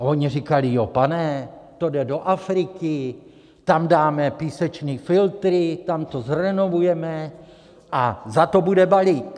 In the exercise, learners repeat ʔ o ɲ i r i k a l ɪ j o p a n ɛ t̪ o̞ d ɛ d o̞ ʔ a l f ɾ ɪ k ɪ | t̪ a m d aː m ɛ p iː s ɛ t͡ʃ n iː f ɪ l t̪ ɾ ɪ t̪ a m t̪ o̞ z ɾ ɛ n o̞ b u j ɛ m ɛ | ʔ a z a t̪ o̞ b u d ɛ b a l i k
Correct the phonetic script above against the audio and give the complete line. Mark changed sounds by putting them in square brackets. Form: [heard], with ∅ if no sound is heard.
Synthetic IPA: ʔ o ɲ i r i k a l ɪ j o p a n ɛ t̪ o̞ d ɛ d o̞ ʔ a [∅] f ɾ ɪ k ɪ | t̪ a m d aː m ɛ p iː s ɛ t͡ʃ n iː f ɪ l t̪ ɾ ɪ t̪ a m t̪ o̞ z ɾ ɛ n o̞ [v] u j ɛ m ɛ | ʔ a z a t̪ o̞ b u d ɛ b a l i k